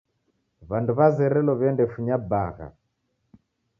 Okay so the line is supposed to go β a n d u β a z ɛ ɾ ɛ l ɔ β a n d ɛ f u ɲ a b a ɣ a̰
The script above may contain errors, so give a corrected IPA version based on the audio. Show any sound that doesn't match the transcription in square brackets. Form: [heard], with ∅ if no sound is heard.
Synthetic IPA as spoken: β a n d u β a z ɛ ɾ ɛ l ɔ β [ɛ] n d ɛ f u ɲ a b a ɣ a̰